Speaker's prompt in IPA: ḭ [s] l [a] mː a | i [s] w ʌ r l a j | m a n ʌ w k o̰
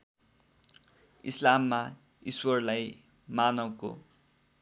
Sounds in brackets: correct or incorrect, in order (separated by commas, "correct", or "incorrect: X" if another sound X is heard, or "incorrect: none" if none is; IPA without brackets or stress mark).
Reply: correct, correct, correct